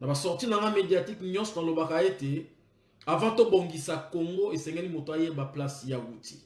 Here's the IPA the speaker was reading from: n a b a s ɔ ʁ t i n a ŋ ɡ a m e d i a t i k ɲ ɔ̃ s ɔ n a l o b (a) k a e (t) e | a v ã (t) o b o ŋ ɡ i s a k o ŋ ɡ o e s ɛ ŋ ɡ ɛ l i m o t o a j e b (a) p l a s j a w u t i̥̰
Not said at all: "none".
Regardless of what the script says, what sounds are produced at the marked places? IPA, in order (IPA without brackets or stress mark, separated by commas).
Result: a, t, t, a